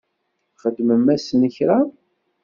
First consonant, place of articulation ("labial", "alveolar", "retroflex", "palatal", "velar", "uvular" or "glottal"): uvular